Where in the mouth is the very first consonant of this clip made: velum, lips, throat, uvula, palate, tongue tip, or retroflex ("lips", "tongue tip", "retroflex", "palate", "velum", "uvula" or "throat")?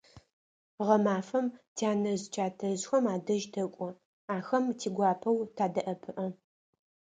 uvula